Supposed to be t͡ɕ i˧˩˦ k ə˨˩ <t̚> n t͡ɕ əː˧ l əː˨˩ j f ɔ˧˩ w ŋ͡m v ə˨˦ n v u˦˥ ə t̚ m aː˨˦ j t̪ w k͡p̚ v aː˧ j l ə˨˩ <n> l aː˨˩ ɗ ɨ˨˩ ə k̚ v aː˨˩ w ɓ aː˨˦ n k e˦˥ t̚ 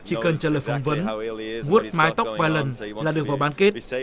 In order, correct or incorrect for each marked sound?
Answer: incorrect: none, correct

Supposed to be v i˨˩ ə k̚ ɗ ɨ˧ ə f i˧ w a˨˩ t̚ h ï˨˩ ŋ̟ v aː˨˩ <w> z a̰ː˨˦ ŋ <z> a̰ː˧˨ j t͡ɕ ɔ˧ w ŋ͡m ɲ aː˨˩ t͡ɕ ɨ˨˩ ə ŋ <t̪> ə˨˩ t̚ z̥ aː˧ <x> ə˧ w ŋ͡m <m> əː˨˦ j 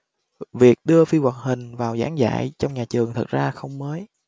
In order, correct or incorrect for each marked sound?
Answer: correct, correct, incorrect: t̪ʰ, correct, correct

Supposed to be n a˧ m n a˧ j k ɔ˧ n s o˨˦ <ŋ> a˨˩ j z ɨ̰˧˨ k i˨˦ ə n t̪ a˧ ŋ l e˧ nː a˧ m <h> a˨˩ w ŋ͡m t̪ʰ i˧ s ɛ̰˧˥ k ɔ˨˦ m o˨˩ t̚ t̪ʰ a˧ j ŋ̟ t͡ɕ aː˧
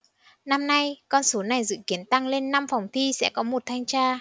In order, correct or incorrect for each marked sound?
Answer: incorrect: n, incorrect: f

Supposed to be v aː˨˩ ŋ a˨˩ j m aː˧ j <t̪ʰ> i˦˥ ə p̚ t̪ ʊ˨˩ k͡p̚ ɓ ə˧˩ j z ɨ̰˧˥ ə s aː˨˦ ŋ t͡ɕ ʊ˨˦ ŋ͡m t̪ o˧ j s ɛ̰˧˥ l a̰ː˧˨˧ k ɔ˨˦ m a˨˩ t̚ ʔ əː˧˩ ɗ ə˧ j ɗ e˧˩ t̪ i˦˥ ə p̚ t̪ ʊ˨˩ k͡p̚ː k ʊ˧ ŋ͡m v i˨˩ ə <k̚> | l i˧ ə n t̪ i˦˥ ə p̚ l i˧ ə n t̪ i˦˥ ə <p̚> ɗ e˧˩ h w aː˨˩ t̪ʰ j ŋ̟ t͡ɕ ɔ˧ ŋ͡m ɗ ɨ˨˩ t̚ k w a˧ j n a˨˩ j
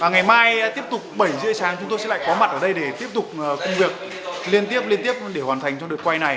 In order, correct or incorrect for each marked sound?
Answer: incorrect: t̪, correct, correct

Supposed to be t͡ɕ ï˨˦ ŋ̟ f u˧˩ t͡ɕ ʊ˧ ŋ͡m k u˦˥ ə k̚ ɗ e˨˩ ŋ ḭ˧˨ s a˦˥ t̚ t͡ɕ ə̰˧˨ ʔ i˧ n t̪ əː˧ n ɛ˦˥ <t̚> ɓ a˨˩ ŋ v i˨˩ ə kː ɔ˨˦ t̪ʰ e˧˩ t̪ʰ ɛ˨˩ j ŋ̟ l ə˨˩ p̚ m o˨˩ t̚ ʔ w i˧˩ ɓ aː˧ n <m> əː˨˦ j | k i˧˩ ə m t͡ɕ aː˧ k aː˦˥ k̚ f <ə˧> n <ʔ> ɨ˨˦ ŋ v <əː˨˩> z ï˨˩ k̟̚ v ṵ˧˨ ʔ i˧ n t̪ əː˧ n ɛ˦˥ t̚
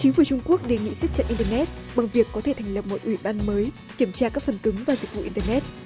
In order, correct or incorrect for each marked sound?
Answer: correct, correct, incorrect: ə˨˩, incorrect: k, incorrect: aː˨˩

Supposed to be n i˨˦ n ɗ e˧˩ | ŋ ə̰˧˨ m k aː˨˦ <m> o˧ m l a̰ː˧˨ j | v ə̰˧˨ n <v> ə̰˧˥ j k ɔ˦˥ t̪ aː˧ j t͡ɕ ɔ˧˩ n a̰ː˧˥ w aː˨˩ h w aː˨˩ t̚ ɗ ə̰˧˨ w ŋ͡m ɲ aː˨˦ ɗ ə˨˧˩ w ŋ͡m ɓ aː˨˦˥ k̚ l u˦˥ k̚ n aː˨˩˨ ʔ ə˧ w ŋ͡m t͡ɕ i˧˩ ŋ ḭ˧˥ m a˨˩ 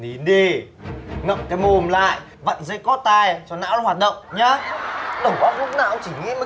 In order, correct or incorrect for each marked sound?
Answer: correct, incorrect: z

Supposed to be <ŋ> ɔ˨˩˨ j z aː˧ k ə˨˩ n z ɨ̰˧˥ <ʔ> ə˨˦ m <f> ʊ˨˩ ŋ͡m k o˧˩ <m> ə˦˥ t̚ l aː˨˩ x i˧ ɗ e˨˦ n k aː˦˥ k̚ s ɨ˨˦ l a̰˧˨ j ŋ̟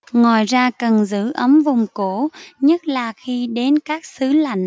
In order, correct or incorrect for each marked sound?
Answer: correct, correct, incorrect: v, incorrect: ɲ

